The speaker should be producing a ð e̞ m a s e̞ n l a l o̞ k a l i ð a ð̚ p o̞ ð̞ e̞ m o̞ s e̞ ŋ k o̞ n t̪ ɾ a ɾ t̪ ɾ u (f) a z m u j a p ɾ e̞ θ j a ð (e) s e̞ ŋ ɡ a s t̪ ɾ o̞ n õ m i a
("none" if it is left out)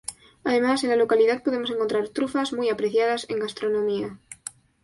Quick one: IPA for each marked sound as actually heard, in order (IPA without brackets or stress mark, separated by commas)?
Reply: f, a